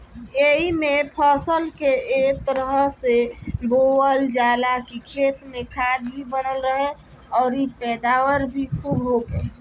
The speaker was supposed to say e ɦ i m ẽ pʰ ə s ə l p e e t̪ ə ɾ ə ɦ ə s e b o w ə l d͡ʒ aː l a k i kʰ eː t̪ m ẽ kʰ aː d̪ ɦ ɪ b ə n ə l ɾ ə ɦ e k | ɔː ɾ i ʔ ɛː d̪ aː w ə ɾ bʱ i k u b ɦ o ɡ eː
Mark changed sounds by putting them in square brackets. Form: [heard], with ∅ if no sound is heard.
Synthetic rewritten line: e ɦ i m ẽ pʰ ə s ə l [k] e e t̪ ə ɾ ə ɦ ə s e b o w ə l d͡ʒ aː l a k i kʰ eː t̪ m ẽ kʰ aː d̪ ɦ [i] b ə n ə l ɾ ə ɦ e [∅] | ɔː ɾ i [p] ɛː d̪ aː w ə ɾ bʱ i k u b ɦ o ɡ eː